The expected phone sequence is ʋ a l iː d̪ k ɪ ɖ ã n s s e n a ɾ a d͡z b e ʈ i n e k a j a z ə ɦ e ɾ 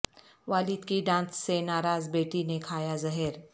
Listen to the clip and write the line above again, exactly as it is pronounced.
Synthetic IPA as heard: ʋ a l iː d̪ k i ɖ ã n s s e n a ɾ a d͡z b e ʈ i n e kʰ a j a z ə ɦ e ɾ